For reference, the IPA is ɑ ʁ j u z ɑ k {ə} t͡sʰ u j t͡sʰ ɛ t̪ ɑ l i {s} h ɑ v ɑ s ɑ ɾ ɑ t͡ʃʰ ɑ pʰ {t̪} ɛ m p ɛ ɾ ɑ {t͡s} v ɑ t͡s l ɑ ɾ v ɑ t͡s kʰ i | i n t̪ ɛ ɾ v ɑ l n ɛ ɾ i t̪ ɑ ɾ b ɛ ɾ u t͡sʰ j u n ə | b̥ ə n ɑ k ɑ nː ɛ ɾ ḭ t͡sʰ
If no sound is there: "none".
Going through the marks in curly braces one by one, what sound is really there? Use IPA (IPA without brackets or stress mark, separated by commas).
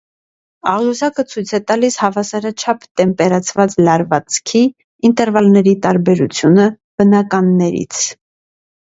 ə, s, t̪, t͡sʰ